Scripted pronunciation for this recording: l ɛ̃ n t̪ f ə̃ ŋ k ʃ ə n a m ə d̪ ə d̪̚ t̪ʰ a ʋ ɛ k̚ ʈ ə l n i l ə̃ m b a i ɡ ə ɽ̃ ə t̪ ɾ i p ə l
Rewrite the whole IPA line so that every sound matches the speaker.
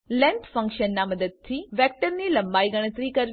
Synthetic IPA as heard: l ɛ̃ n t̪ f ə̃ ŋ k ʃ ə nː a m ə d̪ ə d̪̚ t̪ʰ i ʋ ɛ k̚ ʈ ə ɾ n i l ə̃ m b a i ɡ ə ɽ̃ ə t̪ ɾ i k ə ɾ

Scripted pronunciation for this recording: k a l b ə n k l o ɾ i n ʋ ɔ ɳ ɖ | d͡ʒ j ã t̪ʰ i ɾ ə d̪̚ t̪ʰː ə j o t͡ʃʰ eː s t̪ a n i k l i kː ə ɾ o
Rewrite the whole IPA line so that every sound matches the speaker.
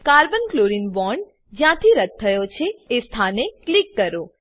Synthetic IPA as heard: k a ɾ b ə n k l o ɾ i n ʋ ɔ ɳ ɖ | d͡ʒ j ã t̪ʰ i ɾ ə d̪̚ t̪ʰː ə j o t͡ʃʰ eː s t̪ʰ a n e k l i kː ə ɾ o

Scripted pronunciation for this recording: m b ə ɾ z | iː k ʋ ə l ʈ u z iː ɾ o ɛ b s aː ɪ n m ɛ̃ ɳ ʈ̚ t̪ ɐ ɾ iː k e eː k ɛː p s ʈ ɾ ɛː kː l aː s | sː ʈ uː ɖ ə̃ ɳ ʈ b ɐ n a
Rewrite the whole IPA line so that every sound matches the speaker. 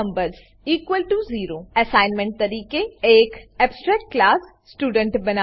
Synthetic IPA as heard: m b ə ɾ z | iː k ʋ ə l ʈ u z iː ɾ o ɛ s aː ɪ n m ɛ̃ ɳ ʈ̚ t̪ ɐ ɾ iː k e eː k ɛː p s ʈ ɾ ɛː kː l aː s | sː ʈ uː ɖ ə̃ ɳ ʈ b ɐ n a

